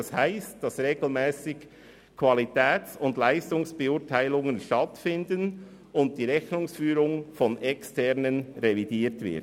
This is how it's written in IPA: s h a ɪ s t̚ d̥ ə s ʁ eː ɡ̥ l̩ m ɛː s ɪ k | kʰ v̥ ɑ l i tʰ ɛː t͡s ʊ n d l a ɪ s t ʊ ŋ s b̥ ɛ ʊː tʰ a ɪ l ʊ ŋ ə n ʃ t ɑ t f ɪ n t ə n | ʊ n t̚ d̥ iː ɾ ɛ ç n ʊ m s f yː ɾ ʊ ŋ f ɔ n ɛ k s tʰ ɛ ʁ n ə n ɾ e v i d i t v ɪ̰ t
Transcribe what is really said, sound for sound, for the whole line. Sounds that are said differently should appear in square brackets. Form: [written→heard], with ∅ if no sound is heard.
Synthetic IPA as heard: s h a ɪ s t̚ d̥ [ə→ɑ] s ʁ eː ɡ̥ l̩ m ɛː s ɪ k | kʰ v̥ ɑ l i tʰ ɛː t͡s ʊ n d l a ɪ s t ʊ ŋ s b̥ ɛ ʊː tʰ a ɪ l ʊ ŋ ə n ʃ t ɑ t f ɪ n [t→d] ə n | ʊ n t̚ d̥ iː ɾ ɛ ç n ʊ [m→ŋ] s f yː ɾ ʊ ŋ f ɔ n ɛ k s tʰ ɛ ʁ n ə n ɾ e v i d [i→iː] t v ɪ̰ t